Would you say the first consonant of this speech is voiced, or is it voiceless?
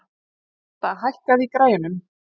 voiceless